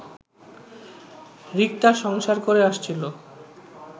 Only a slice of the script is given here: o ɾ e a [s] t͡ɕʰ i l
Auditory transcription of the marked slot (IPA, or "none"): ʃ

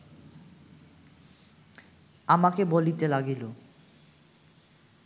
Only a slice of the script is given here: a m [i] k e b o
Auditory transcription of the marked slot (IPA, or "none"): a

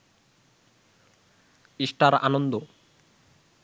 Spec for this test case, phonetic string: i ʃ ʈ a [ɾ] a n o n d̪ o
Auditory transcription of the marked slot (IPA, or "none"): ɾ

